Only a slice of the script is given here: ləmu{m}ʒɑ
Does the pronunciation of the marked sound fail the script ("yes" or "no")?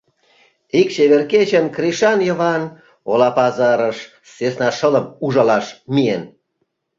yes